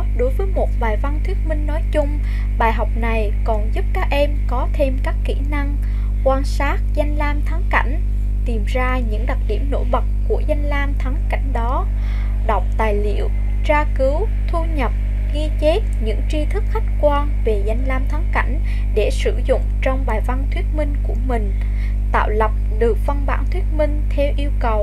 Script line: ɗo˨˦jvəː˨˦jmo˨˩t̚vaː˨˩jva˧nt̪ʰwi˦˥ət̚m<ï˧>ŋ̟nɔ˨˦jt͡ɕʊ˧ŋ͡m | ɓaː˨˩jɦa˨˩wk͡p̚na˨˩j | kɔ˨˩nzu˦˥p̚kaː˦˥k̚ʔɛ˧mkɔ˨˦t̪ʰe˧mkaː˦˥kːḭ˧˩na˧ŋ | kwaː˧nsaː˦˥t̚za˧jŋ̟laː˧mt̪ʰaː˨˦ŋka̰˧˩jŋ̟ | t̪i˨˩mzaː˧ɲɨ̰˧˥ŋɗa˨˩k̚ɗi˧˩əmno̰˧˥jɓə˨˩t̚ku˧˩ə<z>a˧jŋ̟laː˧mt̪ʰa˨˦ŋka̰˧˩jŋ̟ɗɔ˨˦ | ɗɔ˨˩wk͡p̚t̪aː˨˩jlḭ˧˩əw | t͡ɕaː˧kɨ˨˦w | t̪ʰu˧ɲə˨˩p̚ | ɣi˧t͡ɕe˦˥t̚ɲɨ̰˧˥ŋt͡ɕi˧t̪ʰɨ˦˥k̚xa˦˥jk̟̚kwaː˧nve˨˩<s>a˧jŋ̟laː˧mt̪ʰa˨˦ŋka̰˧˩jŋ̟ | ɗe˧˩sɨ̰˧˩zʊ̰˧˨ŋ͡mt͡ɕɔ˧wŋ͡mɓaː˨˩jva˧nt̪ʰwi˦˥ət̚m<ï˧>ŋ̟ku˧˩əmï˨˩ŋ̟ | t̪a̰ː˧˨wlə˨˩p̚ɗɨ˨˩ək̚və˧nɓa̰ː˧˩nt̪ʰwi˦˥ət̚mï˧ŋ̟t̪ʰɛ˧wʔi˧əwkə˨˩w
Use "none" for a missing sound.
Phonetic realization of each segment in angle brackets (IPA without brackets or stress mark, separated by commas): ï˧, z, z, ï˧